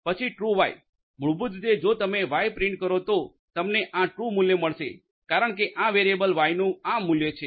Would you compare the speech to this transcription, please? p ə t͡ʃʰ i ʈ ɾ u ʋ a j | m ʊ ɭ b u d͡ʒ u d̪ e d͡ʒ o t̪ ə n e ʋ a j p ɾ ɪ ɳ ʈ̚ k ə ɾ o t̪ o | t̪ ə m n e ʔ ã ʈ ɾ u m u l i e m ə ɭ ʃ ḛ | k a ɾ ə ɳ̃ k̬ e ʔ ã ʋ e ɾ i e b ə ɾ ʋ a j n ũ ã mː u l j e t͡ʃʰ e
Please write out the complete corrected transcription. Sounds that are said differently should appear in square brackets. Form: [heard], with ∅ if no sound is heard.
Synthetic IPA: p ə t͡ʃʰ i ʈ ɾ u ʋ a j | m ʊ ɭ b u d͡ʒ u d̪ e d͡ʒ o t̪ ə [m] e ʋ a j p ɾ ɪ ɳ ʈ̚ k ə ɾ o t̪ o | t̪ ə m n e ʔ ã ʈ ɾ u m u l [j] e m ə ɭ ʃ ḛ | k a ɾ ə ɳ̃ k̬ e ʔ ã ʋ e ɾ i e b ə [l] ʋ a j n ũ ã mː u l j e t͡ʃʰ e